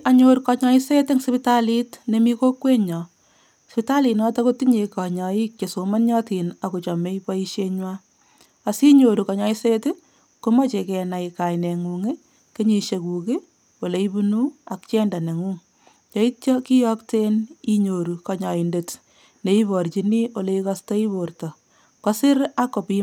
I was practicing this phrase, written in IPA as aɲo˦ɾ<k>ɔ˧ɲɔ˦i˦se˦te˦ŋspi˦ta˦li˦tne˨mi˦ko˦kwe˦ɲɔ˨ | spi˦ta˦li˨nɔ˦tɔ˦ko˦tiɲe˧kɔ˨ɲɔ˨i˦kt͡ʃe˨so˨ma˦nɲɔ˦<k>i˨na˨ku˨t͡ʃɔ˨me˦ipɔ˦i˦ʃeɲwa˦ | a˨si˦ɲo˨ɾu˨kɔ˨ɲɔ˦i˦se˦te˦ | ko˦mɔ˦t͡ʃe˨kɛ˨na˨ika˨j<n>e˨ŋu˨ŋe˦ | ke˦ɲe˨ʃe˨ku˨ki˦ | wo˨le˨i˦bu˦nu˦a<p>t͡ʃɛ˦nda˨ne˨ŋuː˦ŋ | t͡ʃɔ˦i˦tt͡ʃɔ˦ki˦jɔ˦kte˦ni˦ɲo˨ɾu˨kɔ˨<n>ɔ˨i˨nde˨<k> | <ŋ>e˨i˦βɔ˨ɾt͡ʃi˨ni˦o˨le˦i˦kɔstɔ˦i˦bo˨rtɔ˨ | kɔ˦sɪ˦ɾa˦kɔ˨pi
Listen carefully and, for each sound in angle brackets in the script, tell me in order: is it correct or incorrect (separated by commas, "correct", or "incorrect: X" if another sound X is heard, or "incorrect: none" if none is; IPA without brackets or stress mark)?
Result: correct, incorrect: t, correct, incorrect: k, incorrect: ɲ, incorrect: t, incorrect: n